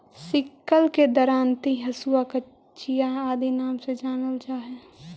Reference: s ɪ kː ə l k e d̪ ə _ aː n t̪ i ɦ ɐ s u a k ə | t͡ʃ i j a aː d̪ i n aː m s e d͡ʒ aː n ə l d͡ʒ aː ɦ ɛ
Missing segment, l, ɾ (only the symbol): ɾ